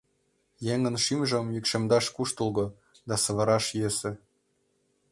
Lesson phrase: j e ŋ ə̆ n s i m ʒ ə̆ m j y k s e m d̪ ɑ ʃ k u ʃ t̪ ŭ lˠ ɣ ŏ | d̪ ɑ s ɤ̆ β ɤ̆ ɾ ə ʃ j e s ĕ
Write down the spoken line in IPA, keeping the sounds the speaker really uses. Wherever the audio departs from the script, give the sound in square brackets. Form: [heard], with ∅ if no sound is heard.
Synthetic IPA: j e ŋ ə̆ n [ʃ] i m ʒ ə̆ m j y k [ʃ] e m d̪ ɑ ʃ k u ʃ t̪ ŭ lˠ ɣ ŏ | d̪ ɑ s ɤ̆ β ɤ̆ ɾ [ɑ] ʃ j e s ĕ